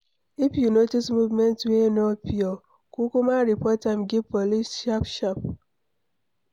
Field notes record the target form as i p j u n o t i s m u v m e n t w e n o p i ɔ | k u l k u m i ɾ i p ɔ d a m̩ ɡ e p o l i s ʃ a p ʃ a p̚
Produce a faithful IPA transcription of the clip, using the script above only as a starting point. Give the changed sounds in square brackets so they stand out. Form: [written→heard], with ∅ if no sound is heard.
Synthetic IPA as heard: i p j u n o t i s m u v m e n t w e n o p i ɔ | k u [l→∅] k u m [i→a] ɾ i p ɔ [d→t] a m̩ ɡ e p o l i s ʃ a p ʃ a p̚